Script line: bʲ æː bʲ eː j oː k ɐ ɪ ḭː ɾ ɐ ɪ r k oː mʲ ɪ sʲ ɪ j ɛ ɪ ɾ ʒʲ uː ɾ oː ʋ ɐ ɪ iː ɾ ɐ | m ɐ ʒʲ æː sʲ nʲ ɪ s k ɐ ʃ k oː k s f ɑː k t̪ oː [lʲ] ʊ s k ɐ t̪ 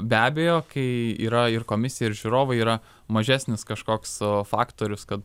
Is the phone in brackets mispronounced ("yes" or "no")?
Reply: yes